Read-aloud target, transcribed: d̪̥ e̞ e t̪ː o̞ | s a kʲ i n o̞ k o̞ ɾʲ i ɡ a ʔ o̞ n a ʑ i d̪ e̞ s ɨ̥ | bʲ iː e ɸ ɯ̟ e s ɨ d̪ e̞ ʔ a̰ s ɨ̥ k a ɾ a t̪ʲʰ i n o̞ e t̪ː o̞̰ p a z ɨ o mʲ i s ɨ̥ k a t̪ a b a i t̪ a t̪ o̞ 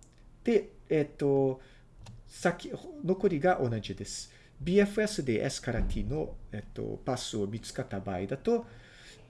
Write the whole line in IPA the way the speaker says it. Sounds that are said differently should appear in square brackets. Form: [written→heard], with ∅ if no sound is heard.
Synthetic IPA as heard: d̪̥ e̞ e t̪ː o̞ | s a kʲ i n o̞ k o̞ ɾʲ i ɡ a ʔ o̞ n a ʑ i d̪ e̞ s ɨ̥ | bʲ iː e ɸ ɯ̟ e s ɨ d̪ e̞ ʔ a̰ s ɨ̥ k a ɾ a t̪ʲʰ i n o̞ e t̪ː o̞̰ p a [z→s] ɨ o mʲ i [s→t͡s] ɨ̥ k a t̪ a b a i [t̪→d̪] a t̪ o̞